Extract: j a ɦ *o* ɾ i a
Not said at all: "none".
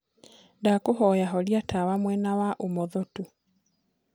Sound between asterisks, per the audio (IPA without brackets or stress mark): ɔ